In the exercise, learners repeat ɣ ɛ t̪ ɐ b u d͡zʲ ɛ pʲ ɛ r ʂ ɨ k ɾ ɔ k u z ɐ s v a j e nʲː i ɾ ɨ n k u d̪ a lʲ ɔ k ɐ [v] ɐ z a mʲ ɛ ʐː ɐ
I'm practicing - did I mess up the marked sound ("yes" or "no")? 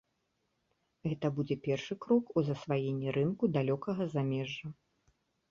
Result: yes